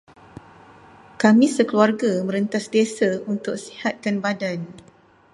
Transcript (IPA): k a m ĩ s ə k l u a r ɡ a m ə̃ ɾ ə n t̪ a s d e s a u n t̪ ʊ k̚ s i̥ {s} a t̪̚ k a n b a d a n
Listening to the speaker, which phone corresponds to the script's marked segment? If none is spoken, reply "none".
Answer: h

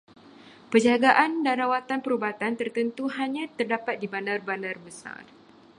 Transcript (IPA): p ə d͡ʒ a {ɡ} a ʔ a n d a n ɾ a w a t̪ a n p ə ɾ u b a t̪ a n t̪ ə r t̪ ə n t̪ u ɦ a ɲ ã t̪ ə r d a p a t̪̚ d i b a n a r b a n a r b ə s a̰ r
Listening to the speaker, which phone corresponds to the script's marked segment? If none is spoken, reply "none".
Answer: ɡ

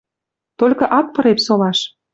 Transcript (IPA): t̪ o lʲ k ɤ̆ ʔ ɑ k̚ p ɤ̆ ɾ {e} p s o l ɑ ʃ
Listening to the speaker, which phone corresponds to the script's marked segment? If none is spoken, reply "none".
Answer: e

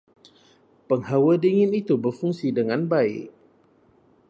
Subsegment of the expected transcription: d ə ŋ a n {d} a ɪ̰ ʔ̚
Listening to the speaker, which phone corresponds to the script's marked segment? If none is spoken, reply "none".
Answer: b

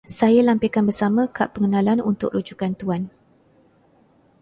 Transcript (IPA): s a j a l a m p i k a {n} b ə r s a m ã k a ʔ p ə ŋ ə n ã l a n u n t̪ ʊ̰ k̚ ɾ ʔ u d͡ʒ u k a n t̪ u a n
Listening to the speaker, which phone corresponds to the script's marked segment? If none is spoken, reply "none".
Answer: n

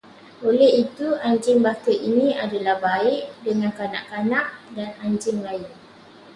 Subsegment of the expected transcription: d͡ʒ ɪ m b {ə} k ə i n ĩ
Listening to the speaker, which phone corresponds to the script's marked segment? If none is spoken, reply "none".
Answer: a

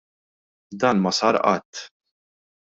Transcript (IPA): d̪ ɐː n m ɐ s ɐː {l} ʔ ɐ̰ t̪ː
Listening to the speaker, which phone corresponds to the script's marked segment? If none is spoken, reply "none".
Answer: ɾ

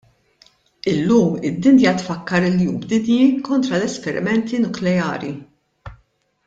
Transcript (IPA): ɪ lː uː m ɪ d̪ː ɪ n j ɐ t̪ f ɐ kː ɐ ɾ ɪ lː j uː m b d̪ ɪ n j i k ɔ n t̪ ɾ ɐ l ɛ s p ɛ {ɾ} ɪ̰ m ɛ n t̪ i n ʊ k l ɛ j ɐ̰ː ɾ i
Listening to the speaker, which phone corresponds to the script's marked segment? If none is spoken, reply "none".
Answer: ɾ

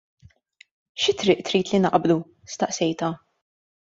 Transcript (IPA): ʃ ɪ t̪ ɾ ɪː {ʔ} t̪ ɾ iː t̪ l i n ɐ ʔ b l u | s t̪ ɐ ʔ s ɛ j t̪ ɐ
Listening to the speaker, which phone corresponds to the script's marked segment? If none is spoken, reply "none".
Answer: ʔ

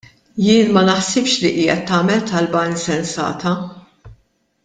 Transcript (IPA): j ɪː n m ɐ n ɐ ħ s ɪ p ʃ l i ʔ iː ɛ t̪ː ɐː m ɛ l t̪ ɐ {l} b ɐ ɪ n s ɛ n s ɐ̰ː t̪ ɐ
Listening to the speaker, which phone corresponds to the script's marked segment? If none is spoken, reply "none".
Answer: l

